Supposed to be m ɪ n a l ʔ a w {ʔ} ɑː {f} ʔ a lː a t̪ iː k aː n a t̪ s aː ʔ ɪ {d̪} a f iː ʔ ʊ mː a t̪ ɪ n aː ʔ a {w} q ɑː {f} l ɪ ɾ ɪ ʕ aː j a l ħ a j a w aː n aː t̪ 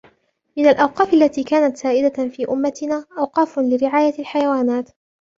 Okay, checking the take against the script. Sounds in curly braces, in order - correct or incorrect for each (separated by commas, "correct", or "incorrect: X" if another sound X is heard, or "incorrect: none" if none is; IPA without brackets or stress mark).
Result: incorrect: q, correct, correct, correct, correct